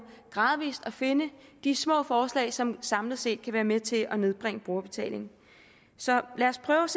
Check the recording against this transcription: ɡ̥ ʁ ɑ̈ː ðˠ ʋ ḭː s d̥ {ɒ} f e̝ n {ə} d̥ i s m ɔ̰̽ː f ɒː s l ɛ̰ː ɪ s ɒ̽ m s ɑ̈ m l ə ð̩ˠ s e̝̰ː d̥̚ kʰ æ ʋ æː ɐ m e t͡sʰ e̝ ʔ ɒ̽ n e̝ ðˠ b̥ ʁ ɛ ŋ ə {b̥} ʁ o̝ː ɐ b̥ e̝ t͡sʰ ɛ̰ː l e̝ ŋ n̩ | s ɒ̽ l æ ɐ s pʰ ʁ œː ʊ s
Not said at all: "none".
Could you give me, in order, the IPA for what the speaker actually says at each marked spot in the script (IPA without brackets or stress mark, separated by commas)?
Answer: ɒ, ə, b̥